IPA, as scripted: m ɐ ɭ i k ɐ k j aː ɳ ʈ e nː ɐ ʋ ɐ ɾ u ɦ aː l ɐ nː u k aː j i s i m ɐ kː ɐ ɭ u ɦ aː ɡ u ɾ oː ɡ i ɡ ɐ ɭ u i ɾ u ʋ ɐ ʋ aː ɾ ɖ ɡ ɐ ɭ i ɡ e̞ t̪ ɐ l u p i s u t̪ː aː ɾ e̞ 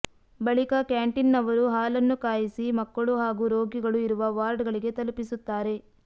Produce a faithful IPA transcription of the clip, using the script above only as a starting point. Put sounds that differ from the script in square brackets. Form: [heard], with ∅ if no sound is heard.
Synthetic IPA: [b] ɐ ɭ i k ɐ k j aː ɳ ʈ [i] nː ɐ ʋ ɐ ɾ u ɦ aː l ɐ nː u k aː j i s i m ɐ kː ɐ ɭ u ɦ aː ɡ u ɾ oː ɡ i ɡ ɐ ɭ u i ɾ u ʋ ɐ ʋ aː ɾ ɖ ɡ ɐ ɭ i ɡ e̞ t̪ ɐ l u p i s u t̪ː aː ɾ e̞